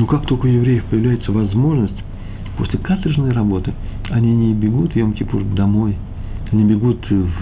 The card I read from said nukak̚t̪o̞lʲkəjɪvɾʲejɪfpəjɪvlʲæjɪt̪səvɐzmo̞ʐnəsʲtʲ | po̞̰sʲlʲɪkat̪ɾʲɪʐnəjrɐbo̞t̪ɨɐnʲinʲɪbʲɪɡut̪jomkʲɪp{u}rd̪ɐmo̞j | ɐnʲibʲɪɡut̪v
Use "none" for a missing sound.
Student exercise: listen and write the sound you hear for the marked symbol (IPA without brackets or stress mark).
u